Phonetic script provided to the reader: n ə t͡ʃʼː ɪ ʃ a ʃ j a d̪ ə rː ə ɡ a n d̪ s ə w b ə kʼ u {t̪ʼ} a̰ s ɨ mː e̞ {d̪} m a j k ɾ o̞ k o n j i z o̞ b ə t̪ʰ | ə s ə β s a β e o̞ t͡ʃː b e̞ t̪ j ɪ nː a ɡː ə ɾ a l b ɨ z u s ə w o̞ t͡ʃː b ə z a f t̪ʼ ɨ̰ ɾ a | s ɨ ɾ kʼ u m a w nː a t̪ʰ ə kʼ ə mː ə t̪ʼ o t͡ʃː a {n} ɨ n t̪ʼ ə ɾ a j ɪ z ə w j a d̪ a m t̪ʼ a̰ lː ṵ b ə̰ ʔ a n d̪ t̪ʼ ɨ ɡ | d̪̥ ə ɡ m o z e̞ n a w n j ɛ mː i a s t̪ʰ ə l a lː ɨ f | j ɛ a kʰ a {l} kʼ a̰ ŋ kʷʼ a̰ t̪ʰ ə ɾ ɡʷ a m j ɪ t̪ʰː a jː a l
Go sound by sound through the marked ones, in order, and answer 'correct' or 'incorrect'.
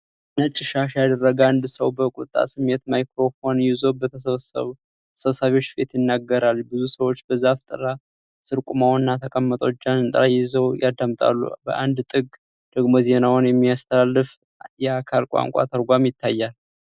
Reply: correct, incorrect: t̪, correct, correct

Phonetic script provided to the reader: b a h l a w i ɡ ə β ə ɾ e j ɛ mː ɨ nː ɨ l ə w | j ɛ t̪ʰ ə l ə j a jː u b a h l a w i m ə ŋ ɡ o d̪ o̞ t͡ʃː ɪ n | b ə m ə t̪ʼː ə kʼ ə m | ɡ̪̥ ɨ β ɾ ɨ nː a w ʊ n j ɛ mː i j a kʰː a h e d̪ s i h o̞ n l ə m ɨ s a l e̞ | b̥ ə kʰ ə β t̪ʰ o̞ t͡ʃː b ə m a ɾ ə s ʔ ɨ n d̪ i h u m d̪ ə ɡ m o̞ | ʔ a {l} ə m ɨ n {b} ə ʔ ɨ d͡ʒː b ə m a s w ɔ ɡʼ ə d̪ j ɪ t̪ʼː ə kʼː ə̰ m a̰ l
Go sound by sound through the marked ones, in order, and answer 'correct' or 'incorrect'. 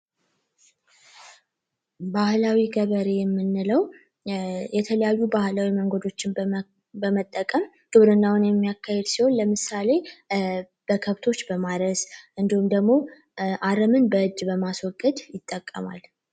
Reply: incorrect: ɾ, correct

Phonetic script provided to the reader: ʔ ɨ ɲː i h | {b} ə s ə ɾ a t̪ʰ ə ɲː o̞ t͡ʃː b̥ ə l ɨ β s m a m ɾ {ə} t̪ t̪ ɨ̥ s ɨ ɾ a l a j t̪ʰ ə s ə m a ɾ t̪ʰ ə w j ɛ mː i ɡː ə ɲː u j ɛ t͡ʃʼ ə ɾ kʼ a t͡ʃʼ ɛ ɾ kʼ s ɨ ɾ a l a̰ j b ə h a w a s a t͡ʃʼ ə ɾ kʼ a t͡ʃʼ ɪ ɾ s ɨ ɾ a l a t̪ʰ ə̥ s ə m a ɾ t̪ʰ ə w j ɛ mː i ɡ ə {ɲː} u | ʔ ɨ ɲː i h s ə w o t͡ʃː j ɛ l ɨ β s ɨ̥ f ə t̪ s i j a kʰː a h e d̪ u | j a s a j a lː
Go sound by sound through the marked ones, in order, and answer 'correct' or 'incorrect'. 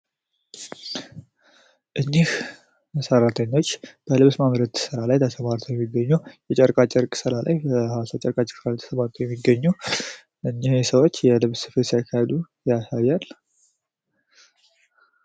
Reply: incorrect: m, correct, correct

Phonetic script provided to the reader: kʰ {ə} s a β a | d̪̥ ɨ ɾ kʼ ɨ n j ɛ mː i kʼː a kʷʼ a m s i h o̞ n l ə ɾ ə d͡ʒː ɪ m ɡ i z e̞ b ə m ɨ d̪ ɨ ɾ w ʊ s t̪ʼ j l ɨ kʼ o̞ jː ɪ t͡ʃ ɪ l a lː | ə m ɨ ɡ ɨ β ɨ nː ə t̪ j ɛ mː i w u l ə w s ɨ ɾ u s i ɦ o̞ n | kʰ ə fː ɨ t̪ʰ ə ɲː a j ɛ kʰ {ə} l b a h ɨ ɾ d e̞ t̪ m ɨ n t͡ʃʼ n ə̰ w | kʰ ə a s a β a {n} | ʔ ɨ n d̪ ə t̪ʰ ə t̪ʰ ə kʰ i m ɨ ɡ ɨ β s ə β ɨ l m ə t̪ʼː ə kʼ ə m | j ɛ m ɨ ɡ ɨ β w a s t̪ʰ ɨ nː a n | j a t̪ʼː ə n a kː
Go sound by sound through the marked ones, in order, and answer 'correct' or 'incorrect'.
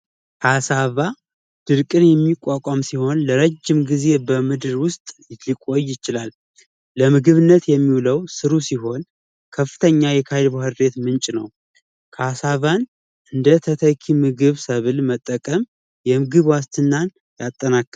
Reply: incorrect: a, incorrect: a, correct

